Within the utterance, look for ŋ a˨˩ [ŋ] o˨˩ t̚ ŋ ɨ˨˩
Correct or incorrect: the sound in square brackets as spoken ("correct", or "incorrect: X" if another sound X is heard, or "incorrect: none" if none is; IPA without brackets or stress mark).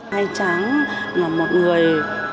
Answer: incorrect: m